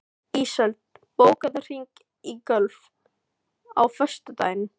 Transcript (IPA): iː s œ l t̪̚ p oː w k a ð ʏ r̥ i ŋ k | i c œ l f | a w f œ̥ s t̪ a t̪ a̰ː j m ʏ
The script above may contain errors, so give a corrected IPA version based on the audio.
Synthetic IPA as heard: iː s œ l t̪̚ p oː w k a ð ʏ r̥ i ŋ k | i k œ l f | a w f œ̥ s t̪ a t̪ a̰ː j n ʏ